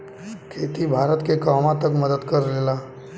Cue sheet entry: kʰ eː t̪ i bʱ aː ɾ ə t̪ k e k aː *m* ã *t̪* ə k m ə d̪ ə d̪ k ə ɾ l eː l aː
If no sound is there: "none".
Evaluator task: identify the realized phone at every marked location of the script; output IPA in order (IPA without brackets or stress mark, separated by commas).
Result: m, t̪